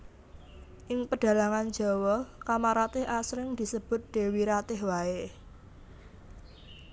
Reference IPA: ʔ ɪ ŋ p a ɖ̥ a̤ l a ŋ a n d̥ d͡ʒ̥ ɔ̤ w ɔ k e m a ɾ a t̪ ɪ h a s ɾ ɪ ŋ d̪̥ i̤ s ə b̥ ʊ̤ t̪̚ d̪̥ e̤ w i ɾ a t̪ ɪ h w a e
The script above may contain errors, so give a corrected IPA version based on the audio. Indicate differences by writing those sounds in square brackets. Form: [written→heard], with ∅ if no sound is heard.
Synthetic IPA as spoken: ʔ ɪ ŋ p [a→ə] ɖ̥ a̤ l a ŋ a n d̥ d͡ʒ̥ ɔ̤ w ɔ k [e→a] m a ɾ a t̪ ɪ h a s ɾ ɪ ŋ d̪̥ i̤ s ə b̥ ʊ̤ t̪̚ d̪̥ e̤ w i ɾ a t̪ ɪ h w a e